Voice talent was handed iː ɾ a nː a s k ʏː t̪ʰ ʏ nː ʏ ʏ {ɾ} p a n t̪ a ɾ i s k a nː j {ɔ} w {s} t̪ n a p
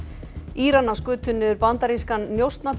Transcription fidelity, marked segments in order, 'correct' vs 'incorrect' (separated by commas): correct, incorrect, correct